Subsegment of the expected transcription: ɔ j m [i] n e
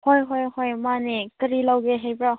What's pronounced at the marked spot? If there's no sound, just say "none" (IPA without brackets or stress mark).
a